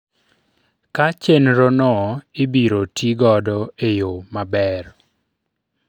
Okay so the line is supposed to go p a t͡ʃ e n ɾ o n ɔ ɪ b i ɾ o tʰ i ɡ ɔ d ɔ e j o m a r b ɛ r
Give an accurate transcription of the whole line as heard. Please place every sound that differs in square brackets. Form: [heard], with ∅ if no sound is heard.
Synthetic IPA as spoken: [k] a t͡ʃ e n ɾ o n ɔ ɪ b i ɾ o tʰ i ɡ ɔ d ɔ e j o m a [∅] b ɛ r